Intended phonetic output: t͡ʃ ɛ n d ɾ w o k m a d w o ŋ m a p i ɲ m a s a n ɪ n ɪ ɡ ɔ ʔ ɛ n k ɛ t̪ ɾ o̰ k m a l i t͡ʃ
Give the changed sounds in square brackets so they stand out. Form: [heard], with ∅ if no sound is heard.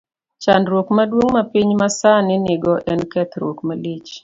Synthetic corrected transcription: t͡ʃ [a] n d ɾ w o k m a d w o ŋ m a p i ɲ m a s a n ɪ n ɪ ɡ ɔ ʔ ɛ n k ɛ t̪ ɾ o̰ k m a l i t͡ʃ